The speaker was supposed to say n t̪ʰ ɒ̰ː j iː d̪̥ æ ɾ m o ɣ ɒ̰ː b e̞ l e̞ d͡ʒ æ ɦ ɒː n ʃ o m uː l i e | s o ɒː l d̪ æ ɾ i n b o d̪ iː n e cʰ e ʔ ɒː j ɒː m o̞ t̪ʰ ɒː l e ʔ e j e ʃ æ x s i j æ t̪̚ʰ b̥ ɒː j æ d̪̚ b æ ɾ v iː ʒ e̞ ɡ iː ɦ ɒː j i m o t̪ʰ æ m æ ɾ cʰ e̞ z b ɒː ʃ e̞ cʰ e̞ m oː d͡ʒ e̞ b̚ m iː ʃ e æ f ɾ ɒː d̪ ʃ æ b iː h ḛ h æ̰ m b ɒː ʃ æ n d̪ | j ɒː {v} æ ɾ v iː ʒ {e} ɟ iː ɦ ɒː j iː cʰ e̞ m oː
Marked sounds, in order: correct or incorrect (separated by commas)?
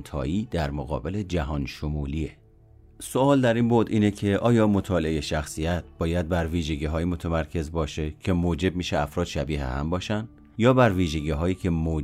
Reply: incorrect, correct